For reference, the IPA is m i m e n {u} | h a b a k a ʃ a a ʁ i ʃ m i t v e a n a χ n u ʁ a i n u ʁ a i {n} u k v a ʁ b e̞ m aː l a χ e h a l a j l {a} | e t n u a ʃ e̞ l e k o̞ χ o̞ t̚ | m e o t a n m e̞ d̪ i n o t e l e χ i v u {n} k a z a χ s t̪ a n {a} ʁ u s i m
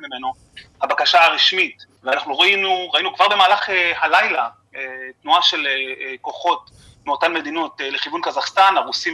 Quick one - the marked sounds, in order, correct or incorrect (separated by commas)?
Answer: incorrect, correct, correct, correct, correct